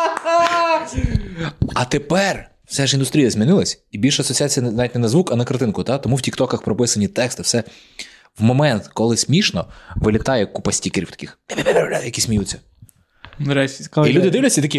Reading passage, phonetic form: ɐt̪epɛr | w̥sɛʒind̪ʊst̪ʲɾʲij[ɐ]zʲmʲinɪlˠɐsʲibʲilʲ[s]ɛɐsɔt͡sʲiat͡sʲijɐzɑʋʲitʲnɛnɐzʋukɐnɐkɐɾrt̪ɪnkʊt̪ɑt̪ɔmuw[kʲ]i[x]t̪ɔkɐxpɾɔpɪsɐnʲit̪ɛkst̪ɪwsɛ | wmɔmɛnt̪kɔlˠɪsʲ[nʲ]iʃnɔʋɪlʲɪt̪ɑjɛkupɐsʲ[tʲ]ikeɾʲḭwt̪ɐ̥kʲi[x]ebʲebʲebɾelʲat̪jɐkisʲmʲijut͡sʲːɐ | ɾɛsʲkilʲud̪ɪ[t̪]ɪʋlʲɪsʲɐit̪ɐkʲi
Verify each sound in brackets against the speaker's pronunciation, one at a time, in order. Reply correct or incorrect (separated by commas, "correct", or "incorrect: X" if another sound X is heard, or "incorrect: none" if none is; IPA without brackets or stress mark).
correct, incorrect: ʃ, incorrect: tʲ, incorrect: k, incorrect: mʲ, correct, correct, incorrect: d̪